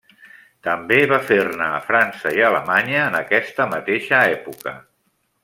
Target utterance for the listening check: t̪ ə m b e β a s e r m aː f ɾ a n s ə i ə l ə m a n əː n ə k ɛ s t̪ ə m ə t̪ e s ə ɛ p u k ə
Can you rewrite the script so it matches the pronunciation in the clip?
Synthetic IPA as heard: t̪ ə m b e β a f e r n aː f ɾ a n s ə i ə l ə m a ɲ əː n ə k ɛ s t̪ ə m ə t̪ e ʃ ə ɛ p u k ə